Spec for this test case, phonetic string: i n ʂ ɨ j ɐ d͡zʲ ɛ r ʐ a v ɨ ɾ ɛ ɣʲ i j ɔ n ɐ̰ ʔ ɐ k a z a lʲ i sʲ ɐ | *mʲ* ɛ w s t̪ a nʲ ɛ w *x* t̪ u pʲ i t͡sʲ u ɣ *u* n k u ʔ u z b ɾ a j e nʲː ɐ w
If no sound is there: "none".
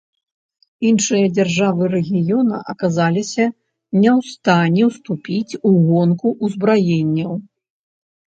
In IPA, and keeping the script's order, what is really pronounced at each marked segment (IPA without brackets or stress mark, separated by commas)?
nʲ, s, ɔ